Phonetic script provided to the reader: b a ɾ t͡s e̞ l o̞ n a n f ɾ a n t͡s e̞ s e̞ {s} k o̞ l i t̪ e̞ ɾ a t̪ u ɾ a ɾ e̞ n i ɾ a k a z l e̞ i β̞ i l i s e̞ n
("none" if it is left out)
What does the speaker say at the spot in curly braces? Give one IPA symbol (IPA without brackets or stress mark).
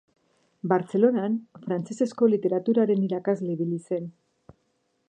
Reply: s